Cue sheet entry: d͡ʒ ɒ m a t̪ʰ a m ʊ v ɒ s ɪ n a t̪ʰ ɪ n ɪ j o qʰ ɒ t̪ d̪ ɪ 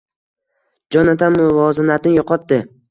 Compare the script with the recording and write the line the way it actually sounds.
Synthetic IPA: d͡ʒ ɒ n a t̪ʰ a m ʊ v ɒ z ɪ n a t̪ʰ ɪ n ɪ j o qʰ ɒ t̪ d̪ ɪ